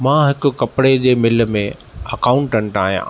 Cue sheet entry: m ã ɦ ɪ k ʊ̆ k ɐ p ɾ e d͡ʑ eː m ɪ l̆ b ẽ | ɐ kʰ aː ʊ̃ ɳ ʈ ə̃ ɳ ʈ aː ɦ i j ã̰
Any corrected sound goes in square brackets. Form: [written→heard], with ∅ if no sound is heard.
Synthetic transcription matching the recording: m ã ɦ ɪ k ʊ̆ k ɐ p [ɾ→ɽ] e d͡ʑ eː m ɪ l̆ [b→m] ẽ | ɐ [kʰ→k] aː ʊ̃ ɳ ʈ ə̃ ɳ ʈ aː ɦ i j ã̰